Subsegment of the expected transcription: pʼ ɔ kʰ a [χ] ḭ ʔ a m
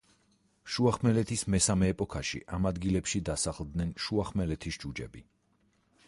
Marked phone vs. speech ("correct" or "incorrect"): incorrect